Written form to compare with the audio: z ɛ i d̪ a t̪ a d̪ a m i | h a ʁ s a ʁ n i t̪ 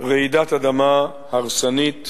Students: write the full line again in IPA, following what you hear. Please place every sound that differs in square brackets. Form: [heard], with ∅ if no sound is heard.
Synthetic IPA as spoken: [ʁ] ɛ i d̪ a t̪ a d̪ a m [a] | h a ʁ s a [∅] n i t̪